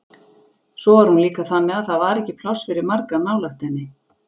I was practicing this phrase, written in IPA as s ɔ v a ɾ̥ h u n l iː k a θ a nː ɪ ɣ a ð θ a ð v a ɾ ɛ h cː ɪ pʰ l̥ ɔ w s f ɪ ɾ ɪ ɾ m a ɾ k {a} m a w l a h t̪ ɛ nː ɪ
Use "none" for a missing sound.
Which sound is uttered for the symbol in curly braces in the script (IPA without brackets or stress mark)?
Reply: a